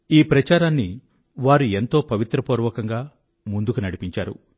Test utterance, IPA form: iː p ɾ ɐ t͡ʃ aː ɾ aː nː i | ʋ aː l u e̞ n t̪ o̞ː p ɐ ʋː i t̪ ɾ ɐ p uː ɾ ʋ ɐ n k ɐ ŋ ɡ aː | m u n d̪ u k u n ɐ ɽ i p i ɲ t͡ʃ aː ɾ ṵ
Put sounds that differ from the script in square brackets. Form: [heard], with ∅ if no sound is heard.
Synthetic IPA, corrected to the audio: iː p ɾ ɐ t͡ʃ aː ɾ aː nː i | ʋ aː [ɾ] u e̞ n t̪ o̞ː p ɐ [ʋ] i t̪ ɾ ɐ p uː ɾ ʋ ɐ [∅] k ɐ ŋ ɡ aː | m u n d̪ u k u n ɐ ɽ i p i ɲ t͡ʃ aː ɾ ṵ